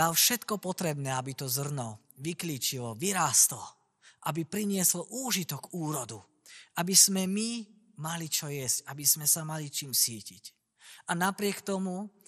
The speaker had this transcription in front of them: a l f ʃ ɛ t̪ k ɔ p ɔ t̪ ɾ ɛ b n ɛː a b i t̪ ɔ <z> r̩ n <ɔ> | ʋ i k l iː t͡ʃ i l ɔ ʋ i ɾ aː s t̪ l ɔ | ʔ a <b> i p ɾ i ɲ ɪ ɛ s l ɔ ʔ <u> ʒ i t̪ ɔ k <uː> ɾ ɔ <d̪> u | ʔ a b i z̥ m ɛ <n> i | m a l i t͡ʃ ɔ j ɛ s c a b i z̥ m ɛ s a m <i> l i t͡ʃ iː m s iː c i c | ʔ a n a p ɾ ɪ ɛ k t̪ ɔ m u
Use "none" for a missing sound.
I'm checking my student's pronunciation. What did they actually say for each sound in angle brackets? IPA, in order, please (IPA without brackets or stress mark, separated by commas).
z, ɔ, b, uː, uː, d̪, m, a